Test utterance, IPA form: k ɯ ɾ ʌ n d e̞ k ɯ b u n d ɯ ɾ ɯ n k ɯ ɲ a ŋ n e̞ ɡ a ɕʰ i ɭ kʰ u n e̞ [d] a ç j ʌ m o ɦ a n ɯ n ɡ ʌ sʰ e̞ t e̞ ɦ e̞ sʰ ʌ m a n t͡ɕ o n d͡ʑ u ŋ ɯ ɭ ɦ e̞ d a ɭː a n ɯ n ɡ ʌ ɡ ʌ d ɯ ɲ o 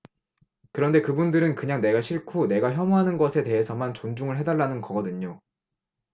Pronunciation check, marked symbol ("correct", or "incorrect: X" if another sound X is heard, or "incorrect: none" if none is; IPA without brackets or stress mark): incorrect: ɡ